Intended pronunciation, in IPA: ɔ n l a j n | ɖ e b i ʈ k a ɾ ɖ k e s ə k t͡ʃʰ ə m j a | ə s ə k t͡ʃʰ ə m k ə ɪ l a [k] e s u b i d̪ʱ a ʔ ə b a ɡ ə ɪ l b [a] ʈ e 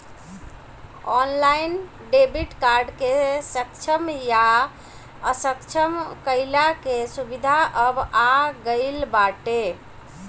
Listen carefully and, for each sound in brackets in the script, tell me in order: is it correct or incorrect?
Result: correct, correct

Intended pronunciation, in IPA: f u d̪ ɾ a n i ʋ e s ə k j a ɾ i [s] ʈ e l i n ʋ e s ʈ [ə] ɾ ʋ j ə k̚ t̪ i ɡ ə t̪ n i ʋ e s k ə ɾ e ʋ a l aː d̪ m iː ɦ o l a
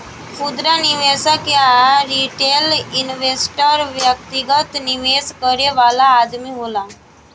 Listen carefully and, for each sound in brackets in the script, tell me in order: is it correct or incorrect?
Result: incorrect: none, correct

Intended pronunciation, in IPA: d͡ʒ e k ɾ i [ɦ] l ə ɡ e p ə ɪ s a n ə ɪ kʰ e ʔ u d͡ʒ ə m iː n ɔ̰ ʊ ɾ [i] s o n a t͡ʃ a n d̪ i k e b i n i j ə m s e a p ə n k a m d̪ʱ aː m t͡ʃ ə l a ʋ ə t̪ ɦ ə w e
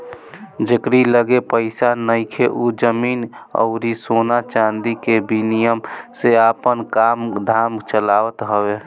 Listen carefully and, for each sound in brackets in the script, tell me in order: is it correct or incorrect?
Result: incorrect: none, correct

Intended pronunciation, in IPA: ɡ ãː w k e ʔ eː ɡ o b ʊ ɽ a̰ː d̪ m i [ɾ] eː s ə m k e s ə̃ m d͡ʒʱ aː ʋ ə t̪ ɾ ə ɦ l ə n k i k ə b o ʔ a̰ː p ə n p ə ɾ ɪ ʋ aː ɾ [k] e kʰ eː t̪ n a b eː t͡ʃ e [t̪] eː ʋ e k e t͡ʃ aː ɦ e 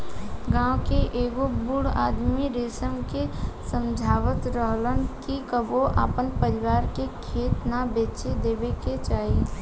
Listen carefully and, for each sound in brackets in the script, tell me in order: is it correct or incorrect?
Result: correct, correct, incorrect: d̪

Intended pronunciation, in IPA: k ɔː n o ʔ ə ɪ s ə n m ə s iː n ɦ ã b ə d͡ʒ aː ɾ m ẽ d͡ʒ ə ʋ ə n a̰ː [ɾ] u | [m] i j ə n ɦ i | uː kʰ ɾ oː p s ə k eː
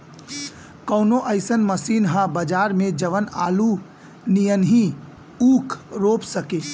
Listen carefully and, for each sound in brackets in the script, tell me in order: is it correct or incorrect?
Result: incorrect: l, incorrect: n

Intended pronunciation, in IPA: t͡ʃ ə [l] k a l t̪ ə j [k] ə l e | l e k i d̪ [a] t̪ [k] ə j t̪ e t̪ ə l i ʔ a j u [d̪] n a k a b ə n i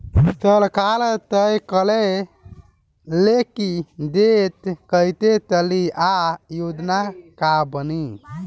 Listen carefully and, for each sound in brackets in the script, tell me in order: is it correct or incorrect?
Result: correct, correct, incorrect: e, correct, correct

